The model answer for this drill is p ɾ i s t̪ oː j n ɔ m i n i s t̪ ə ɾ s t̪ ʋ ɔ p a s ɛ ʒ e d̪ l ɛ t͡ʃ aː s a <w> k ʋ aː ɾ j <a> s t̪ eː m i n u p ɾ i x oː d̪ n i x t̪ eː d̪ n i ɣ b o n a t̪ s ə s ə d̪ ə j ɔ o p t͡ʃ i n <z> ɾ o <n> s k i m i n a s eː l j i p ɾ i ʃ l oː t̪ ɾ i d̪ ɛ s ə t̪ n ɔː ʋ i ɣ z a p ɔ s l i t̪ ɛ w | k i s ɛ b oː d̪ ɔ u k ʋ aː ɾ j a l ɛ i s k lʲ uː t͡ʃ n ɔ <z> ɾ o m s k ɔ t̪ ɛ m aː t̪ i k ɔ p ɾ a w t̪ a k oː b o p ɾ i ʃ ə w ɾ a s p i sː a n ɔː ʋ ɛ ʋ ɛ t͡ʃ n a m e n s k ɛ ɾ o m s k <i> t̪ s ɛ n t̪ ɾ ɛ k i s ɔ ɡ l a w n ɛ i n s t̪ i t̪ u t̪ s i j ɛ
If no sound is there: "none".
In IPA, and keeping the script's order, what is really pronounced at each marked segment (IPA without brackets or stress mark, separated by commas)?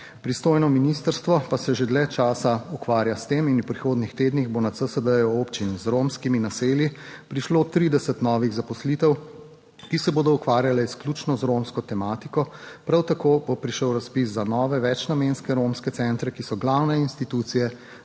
u, a, z, m, z, ɛ